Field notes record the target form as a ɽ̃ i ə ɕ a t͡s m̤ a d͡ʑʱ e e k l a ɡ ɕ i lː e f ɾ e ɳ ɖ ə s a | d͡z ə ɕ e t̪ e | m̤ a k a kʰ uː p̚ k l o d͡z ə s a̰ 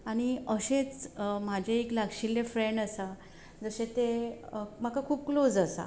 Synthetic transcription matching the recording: a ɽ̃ i ə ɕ e t͡s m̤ a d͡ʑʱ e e k l a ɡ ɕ i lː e f ɾ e ɳ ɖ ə s a | d͡z ə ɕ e t̪ e | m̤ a k a kʰ uː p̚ k l o d͡z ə s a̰